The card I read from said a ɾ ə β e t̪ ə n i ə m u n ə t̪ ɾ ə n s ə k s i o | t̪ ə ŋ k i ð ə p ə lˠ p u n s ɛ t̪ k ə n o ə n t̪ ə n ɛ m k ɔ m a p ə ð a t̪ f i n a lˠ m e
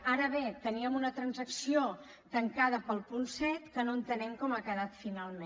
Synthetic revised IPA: a ɾ ə β e t̪ ə n i ə m u n ə t̪ ɾ ə n z ə k s i o | t̪ ə ŋ k a ð ə p ə lˠ p u n s ɛ t̪ k ə n o ə n t̪ ə n ɛ m k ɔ m a k ə ð a t̪ f i n a lˠ m e